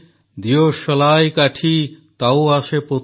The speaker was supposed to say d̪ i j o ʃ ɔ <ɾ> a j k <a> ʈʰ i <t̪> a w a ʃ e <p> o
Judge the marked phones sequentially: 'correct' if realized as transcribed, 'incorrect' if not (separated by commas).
incorrect, correct, correct, correct